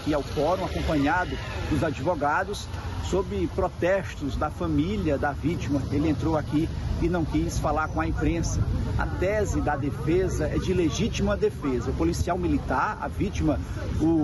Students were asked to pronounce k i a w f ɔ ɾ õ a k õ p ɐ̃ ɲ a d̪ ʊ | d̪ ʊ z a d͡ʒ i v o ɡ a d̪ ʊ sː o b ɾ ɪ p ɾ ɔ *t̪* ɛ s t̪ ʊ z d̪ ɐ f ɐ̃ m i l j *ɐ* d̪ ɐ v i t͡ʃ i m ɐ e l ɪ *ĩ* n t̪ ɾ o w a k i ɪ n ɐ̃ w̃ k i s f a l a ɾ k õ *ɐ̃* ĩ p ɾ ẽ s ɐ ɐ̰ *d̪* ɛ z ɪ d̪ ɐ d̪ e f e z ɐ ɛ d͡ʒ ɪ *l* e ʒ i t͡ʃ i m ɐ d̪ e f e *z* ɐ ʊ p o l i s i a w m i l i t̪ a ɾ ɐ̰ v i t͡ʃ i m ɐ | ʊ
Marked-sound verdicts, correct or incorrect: correct, correct, incorrect: ẽ, incorrect: ɐ, incorrect: t̪, correct, correct

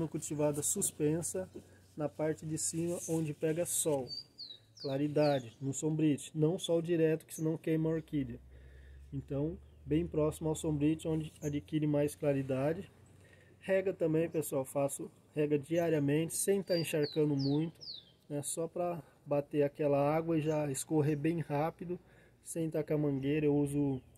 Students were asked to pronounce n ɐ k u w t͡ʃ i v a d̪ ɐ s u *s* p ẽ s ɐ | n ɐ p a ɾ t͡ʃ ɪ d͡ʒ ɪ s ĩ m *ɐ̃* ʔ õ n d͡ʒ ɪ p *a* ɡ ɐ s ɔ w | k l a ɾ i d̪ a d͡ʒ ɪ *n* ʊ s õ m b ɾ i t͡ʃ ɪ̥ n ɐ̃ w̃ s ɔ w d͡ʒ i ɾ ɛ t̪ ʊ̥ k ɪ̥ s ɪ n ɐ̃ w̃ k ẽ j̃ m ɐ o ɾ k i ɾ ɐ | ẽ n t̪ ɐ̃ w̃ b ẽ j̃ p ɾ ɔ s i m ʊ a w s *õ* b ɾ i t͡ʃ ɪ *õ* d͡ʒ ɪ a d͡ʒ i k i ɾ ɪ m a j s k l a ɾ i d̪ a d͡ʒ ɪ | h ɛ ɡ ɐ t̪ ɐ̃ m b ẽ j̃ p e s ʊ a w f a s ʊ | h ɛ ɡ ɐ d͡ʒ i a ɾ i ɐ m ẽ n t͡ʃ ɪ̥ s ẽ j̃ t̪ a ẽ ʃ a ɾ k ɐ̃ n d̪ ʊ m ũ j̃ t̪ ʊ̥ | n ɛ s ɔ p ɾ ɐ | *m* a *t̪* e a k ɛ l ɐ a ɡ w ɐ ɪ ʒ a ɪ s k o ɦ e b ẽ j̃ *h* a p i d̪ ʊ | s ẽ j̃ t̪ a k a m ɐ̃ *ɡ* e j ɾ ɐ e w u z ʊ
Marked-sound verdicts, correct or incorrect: correct, incorrect: ɐ, incorrect: ɛ, correct, correct, correct, incorrect: b, correct, correct, correct

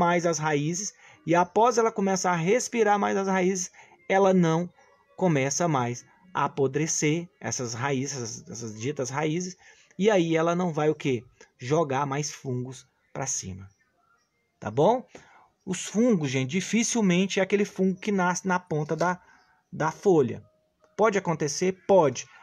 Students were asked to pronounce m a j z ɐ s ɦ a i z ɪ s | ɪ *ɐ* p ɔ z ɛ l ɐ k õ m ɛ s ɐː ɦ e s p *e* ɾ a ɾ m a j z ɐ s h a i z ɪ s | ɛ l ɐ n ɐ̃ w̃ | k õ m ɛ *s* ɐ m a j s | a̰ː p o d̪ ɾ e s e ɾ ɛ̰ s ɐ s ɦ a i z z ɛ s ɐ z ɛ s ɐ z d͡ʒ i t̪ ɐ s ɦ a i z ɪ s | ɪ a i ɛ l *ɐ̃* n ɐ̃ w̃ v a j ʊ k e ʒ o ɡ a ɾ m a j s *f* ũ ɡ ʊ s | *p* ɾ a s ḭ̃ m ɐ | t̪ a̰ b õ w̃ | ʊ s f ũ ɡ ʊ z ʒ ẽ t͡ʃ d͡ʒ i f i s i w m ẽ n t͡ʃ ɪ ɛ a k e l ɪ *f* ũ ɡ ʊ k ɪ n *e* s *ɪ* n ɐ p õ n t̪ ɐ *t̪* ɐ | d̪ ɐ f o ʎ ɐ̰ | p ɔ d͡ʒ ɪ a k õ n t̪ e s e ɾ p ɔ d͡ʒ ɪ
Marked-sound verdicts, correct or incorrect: incorrect: a, incorrect: i, correct, incorrect: ɐ, correct, correct, correct, incorrect: a, correct, incorrect: d̪

